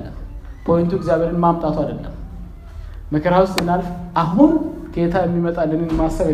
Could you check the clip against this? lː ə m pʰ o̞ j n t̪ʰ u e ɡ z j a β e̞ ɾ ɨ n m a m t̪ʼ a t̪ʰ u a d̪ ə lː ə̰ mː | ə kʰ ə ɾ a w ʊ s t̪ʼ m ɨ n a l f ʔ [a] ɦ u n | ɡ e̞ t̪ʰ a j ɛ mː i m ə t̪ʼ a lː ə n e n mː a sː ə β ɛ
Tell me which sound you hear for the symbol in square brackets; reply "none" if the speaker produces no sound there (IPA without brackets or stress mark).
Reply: a